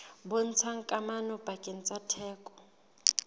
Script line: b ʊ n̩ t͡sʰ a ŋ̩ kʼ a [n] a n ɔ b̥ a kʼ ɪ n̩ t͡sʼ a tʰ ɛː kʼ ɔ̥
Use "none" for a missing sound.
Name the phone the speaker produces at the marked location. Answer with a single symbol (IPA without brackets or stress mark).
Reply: m